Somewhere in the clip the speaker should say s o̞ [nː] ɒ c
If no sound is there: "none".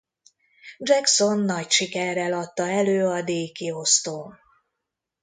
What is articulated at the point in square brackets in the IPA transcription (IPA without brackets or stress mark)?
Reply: nː